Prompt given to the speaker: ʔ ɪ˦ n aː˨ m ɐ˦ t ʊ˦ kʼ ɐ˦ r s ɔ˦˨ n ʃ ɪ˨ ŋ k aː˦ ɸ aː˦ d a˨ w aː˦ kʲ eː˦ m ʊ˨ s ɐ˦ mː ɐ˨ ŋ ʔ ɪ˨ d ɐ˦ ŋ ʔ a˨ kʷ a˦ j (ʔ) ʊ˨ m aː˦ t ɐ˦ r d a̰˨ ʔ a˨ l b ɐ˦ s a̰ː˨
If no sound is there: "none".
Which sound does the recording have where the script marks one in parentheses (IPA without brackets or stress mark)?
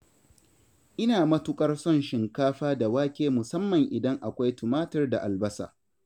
t